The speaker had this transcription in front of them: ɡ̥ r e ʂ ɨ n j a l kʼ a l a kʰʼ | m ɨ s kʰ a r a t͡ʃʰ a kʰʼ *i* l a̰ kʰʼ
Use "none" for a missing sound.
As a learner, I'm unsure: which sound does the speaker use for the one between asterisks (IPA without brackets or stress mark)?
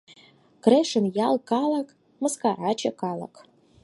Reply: a